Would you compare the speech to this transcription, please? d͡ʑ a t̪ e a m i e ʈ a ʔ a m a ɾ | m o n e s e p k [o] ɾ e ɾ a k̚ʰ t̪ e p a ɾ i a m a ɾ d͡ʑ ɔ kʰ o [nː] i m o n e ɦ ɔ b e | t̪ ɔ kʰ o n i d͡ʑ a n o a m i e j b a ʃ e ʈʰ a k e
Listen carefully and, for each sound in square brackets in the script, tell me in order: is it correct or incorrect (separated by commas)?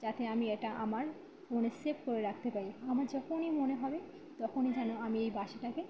correct, incorrect